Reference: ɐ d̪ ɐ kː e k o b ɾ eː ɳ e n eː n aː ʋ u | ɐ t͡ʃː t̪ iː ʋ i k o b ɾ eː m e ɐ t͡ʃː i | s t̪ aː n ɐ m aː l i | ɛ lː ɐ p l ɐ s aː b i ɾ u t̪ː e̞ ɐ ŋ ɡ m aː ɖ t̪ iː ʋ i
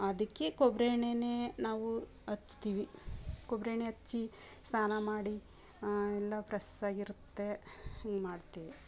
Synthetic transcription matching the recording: ɐ d̪ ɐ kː e k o b ɾ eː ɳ e n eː n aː ʋ u | ɐ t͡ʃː t̪ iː ʋ i k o b ɾ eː ɳ e ɐ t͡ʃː i | s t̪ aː n ɐ m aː ɽ i | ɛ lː ɐ p ɾ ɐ s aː ɡ i ɾ u t̪ː e̞ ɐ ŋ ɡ m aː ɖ t̪ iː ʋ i